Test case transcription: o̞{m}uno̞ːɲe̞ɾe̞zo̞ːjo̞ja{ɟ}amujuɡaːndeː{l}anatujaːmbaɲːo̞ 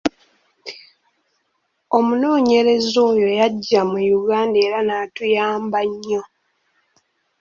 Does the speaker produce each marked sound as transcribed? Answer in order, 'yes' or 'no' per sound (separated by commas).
yes, no, no